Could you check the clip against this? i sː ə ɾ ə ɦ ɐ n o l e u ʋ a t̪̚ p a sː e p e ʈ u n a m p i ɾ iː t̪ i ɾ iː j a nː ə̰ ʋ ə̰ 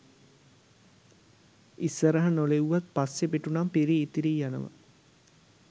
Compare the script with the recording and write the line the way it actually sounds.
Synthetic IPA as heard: i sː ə ɾ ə ɦ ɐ n o l e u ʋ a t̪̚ p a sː e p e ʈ u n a m p i ɾ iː t̪ i ɾ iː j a n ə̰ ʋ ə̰